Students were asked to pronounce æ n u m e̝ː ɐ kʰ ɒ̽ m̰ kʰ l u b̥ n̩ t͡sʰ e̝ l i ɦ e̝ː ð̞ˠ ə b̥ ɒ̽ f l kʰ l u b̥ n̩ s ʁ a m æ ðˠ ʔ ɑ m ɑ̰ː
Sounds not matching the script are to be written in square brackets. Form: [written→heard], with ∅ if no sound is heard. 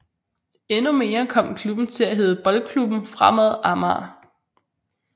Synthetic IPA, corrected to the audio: [æ→e] n u m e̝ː ɐ kʰ ɒ̽ m̰ kʰ l u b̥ n̩ t͡sʰ e̝ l [i→æ] ɦ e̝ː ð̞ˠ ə b̥ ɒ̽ [f→∅] l kʰ l u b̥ n̩ [s→f] ʁ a m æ ðˠ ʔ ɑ m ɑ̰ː